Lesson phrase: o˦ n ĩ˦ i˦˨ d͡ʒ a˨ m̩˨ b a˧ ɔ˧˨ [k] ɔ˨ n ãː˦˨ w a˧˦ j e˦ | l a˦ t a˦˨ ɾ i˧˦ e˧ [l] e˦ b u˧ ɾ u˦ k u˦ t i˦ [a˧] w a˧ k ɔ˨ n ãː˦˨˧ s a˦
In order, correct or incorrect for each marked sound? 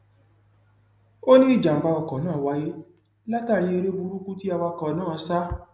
correct, incorrect: ɾ, correct

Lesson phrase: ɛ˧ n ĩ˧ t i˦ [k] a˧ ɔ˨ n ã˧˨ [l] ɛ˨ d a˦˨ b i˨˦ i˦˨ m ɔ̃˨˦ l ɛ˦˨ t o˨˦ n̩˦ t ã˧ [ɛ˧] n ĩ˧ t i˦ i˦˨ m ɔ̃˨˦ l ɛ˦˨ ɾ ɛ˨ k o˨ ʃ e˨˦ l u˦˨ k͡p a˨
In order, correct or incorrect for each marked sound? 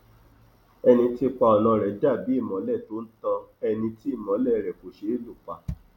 incorrect: k͡p, incorrect: ɾ, correct

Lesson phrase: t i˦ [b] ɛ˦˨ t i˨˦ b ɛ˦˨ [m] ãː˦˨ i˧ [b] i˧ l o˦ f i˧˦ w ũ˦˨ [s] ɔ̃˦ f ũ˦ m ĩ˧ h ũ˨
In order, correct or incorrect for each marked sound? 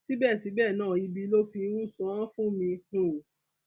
correct, incorrect: n, correct, correct

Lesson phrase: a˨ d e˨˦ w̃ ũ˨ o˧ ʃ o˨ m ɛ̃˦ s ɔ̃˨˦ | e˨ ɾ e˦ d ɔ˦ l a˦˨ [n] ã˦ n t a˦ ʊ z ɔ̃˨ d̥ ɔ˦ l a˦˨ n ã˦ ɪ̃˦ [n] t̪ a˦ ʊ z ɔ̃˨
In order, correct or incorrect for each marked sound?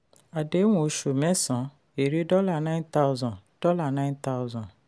correct, correct

